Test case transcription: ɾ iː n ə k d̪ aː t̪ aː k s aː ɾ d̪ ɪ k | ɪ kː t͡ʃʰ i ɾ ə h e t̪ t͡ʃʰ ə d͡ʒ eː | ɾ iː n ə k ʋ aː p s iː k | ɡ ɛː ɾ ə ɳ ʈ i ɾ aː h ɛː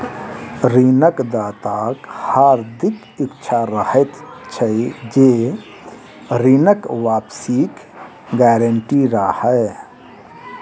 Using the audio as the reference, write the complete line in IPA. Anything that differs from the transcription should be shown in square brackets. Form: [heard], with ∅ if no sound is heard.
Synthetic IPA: ɾ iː n ə k d̪ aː t̪ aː k [h] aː ɾ d̪ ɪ k | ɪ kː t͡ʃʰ [a] ɾ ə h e t̪ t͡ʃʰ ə d͡ʒ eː | ɾ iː n ə k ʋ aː p s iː k | ɡ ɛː ɾ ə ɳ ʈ i ɾ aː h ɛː